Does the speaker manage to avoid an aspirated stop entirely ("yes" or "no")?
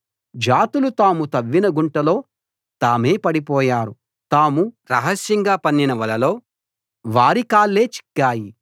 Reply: yes